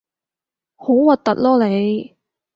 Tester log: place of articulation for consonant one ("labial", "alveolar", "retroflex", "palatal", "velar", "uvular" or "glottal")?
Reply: glottal